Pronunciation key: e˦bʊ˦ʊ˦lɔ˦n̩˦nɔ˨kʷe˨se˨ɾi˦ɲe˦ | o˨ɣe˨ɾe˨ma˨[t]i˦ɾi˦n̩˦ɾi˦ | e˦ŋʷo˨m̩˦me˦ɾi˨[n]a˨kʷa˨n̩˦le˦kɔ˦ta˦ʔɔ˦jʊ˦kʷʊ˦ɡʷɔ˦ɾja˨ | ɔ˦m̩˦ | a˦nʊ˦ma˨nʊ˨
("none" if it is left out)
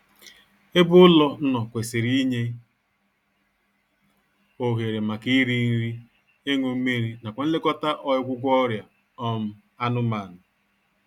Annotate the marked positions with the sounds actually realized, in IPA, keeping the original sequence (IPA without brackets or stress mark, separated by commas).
k, n